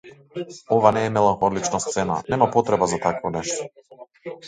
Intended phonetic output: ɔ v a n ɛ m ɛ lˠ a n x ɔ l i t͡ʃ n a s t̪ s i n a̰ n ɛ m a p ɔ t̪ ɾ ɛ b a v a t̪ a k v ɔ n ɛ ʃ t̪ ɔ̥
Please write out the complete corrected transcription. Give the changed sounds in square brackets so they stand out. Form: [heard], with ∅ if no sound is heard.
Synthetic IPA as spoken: ɔ v a n [ɛː] m ɛ lˠ a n x ɔ l i t͡ʃ n a s t̪ s [ɛ] n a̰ n ɛ m a p ɔ t̪ ɾ ɛ b a [z] a t̪ a k v ɔ n ɛ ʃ t̪ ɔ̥